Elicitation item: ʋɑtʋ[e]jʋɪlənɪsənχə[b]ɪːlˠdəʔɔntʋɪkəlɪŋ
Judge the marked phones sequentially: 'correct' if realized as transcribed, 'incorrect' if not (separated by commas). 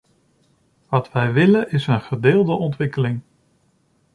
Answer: incorrect, incorrect